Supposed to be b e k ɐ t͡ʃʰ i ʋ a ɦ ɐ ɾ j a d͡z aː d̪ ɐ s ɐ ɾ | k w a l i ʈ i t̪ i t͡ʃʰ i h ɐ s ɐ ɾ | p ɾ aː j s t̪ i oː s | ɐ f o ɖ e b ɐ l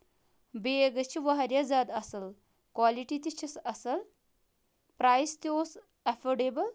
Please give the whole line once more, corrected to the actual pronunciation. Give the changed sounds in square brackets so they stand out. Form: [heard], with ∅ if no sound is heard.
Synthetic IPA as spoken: b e [ɡ] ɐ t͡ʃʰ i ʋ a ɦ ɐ ɾ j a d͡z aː d̪ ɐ s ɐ [l] | k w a l i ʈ i t̪ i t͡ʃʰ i [s] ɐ s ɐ [l] | p ɾ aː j s t̪ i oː s | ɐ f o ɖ e b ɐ l